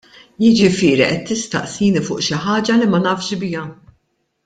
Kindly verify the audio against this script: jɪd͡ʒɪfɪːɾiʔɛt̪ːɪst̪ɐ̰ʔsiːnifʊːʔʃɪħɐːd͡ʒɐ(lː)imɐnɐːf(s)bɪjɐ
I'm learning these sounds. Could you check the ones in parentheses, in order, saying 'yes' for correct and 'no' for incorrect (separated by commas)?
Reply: no, no